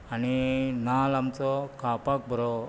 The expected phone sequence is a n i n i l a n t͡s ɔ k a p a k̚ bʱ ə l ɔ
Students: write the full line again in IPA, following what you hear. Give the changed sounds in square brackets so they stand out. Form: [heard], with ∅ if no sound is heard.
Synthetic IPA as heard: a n i n [a] l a [m] t͡s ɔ k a p a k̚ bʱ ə [ɾ] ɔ